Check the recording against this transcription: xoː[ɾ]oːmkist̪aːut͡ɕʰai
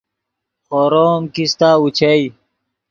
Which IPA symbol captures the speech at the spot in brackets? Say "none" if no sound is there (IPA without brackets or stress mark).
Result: ɾ